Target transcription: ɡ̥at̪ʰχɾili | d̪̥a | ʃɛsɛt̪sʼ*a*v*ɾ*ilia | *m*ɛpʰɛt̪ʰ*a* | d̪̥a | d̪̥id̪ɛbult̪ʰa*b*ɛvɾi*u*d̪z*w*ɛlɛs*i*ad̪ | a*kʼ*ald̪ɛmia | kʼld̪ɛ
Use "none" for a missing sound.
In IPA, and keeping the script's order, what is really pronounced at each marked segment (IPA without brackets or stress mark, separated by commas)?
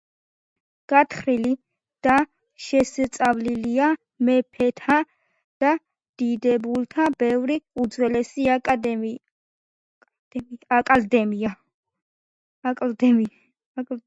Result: a, l, m, a, b, u, w, i, kʼ